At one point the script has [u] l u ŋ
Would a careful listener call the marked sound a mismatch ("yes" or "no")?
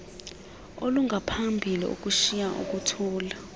yes